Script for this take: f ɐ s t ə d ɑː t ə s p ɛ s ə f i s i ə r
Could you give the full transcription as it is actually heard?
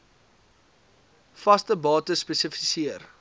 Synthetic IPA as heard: f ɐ s t ə b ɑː t ə s p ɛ s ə f i s i ə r